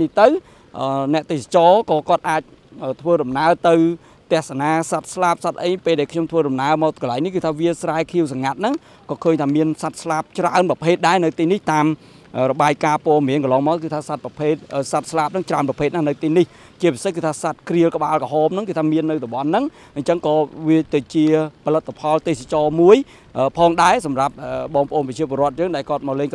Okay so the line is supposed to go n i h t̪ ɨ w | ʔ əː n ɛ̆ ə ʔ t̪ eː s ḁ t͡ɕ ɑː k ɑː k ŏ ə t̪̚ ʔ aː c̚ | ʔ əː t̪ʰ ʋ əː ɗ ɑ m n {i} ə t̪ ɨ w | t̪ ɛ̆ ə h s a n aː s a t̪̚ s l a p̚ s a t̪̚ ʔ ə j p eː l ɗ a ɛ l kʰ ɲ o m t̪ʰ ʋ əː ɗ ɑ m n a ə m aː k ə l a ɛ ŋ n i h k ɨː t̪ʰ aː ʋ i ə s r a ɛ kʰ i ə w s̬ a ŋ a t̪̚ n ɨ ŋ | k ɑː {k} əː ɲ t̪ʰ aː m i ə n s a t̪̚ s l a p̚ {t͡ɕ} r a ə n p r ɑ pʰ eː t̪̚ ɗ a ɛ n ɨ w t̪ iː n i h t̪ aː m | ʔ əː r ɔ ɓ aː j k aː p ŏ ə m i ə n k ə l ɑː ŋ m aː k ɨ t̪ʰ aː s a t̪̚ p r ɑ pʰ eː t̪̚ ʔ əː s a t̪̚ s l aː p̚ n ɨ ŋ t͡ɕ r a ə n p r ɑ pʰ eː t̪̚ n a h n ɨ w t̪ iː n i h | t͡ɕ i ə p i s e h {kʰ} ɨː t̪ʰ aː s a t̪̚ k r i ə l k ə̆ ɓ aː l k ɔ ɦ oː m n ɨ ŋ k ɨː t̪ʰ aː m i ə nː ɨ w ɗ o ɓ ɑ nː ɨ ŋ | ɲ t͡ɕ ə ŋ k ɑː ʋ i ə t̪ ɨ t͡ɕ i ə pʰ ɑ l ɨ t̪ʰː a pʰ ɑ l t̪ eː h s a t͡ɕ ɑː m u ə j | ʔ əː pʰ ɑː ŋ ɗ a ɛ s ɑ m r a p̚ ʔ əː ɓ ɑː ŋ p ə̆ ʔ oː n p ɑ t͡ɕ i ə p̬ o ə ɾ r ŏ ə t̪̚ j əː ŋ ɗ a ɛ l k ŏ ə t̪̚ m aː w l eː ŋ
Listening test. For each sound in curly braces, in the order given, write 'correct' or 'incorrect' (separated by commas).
incorrect, incorrect, correct, incorrect